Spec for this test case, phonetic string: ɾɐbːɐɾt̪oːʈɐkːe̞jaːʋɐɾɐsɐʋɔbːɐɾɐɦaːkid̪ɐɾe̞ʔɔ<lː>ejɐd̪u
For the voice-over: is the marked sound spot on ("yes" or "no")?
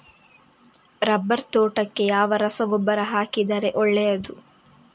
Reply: no